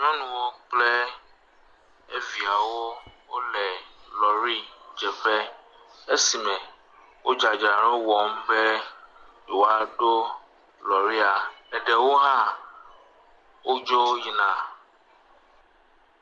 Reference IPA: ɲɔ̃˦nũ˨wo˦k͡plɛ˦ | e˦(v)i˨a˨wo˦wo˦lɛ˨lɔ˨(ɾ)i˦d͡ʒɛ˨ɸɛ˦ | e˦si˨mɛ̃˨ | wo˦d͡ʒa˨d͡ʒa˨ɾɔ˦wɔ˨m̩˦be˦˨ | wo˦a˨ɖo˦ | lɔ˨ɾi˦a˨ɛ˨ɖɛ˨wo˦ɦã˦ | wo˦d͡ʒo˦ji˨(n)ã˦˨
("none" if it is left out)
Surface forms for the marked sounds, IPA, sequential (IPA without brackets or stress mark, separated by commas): v, ɾ, n